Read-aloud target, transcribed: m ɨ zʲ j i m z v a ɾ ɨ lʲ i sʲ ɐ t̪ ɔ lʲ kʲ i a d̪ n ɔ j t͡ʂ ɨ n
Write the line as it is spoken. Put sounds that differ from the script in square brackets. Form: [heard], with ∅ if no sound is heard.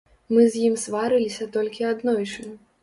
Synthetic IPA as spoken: m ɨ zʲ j i m [s] v a ɾ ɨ lʲ i sʲ ɐ t̪ ɔ lʲ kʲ i a d̪ n ɔ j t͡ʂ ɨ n